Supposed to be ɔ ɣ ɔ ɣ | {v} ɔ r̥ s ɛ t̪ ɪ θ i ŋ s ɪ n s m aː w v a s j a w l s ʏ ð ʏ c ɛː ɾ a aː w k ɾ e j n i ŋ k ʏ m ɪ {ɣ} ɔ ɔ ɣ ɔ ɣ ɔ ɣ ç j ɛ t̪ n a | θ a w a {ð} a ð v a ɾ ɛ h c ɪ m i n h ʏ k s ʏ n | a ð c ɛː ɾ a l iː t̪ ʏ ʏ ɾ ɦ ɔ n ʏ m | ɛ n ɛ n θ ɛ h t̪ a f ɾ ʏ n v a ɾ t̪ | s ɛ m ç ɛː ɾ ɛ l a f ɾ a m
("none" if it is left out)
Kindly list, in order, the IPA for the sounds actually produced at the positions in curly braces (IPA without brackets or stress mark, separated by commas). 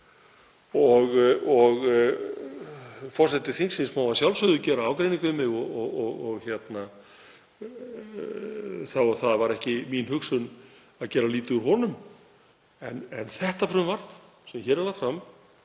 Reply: f, ɣ, θ